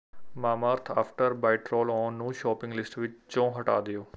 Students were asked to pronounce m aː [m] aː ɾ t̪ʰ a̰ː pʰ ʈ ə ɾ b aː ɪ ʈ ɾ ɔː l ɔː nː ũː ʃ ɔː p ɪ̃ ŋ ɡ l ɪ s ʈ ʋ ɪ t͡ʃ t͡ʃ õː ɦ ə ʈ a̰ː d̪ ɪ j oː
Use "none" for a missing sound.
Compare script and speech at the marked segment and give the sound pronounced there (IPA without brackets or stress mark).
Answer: m